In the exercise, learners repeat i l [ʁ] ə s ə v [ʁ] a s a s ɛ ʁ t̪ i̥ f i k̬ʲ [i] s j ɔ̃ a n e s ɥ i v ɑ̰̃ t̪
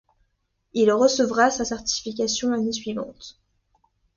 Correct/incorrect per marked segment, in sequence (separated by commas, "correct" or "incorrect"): correct, correct, incorrect